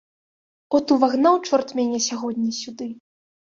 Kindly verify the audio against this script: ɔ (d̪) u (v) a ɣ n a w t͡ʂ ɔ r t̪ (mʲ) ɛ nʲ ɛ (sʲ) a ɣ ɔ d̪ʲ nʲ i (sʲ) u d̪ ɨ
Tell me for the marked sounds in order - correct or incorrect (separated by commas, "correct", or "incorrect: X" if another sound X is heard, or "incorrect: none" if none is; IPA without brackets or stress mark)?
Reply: incorrect: t̪, correct, correct, correct, correct